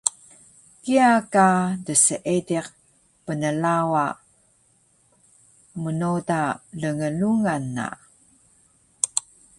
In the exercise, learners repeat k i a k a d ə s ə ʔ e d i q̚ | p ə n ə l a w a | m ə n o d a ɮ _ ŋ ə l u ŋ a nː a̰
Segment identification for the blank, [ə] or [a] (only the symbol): ə